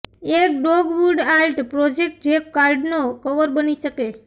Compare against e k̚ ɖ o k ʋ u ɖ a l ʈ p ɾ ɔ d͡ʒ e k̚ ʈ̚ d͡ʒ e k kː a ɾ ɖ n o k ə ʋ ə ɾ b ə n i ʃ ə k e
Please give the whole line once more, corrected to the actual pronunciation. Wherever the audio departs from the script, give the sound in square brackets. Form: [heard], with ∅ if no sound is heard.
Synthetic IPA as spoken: e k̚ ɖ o [ɡ] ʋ u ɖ a l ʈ p ɾ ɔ d͡ʒ e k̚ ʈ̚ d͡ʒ e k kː a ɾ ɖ n o k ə ʋ ə ɾ b ə n i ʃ ə k e